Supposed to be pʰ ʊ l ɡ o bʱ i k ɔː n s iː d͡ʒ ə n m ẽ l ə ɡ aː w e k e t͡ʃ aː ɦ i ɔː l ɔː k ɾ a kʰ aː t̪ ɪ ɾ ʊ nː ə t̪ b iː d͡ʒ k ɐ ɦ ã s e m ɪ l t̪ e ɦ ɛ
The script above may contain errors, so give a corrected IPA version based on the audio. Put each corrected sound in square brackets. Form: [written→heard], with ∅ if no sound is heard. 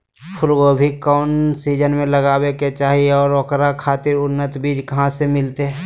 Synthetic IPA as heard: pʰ ʊ l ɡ o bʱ i k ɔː n s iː d͡ʒ ə n m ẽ l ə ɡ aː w e k e t͡ʃ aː ɦ i ɔː [l→ɾ] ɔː k ɾ a kʰ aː t̪ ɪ ɾ ʊ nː ə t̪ b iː d͡ʒ k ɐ ɦ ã s e m ɪ l t̪ e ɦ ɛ